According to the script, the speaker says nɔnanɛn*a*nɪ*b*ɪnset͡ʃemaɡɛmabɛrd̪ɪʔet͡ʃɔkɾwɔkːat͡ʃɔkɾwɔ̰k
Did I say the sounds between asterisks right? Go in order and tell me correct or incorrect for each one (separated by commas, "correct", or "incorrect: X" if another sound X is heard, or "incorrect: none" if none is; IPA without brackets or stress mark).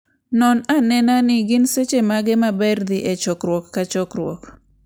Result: correct, incorrect: ɡ